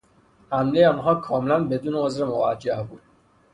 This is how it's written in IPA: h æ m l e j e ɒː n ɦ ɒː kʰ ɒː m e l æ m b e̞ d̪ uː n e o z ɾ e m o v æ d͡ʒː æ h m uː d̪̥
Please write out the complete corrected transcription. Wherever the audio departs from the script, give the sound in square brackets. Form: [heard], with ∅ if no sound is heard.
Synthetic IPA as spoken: h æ m l e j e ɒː n ɦ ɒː kʰ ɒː m e l æ [n] b e̞ d̪ uː n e o z ɾ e m o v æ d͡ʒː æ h [b] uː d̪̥